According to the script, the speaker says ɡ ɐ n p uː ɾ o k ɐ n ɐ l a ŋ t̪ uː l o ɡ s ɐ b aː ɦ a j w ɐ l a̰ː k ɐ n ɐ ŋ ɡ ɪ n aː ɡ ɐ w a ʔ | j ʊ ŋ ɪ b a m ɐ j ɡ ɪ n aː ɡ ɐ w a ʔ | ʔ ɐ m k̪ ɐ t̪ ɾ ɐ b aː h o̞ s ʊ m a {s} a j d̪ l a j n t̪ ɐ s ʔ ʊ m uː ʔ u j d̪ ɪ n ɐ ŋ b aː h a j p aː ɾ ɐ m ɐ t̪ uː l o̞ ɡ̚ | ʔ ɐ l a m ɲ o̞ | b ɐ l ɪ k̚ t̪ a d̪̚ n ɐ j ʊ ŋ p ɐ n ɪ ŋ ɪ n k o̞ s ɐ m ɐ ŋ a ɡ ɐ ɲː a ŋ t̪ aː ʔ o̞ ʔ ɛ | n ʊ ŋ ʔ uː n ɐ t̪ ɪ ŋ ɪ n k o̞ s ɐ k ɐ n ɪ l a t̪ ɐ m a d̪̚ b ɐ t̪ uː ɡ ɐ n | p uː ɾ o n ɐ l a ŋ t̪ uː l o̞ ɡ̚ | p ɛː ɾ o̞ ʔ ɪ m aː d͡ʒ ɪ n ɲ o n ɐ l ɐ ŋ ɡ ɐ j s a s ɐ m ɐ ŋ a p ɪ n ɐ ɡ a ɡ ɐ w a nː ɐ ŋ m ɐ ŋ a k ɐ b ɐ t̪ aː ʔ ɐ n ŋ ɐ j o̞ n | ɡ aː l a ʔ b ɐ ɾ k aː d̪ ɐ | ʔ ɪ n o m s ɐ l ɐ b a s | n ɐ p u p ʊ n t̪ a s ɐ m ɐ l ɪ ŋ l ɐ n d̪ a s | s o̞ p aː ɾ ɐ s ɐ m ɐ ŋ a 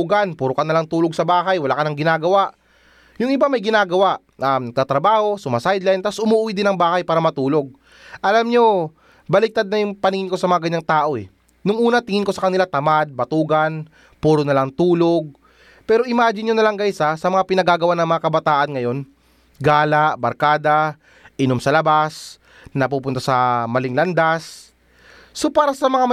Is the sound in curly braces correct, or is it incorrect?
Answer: correct